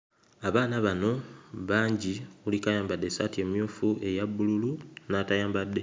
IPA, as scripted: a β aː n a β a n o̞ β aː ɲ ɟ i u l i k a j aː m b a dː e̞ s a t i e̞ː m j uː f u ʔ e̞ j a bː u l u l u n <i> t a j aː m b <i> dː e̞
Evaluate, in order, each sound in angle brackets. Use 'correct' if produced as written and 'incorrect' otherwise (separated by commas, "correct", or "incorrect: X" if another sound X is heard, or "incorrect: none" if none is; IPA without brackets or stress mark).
incorrect: a, incorrect: a